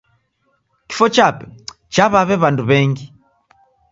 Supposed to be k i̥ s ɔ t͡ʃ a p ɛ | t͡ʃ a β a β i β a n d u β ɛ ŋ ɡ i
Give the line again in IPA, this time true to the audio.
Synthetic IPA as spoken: k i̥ f ɔ t͡ʃ a p ɛ | t͡ʃ a β a β ɛ β a n d u β ɛ ŋ ɡ i